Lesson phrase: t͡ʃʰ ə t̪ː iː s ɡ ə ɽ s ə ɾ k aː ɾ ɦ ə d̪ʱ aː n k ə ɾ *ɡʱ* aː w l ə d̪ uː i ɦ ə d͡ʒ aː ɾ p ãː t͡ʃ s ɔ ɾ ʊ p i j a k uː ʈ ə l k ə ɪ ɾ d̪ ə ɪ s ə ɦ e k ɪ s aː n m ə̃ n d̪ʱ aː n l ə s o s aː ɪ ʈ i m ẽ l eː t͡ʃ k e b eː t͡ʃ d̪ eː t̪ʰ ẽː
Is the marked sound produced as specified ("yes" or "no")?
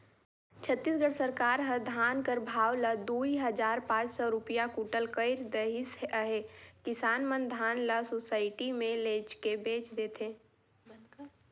no